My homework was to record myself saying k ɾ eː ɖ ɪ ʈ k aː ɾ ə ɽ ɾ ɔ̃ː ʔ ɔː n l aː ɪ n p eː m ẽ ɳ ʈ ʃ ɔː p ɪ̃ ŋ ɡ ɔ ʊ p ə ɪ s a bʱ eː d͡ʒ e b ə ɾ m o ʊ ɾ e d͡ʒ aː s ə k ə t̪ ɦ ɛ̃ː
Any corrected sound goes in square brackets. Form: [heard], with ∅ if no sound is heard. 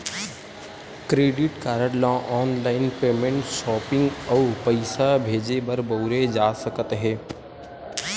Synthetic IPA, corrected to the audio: k ɾ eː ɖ ɪ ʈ k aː ɾ ə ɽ [l] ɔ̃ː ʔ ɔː n l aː ɪ n p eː m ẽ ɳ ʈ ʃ ɔː p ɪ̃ ŋ ɡ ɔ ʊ p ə ɪ s a bʱ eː d͡ʒ e b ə ɾ [b] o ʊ ɾ e d͡ʒ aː s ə k ə t̪ ɦ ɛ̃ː